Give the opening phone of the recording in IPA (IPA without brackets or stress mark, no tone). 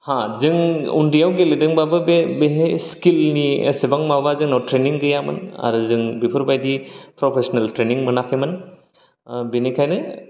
h